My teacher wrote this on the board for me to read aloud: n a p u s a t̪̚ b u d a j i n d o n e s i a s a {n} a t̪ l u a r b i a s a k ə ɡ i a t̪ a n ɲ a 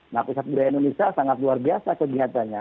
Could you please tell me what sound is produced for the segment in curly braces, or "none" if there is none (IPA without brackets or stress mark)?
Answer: ŋ